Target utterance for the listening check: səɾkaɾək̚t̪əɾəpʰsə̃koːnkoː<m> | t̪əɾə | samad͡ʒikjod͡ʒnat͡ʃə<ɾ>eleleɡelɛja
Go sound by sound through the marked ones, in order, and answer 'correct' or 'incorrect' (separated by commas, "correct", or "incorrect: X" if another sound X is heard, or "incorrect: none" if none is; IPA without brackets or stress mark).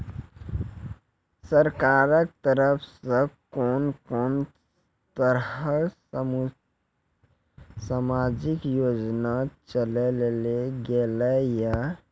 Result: incorrect: n, incorrect: l